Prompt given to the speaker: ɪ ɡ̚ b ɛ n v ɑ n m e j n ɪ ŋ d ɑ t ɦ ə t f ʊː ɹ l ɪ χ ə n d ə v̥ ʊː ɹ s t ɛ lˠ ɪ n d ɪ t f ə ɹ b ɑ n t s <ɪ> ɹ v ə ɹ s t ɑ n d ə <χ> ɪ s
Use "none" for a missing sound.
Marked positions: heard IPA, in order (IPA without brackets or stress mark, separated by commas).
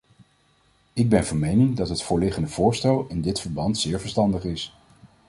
ɪː, χ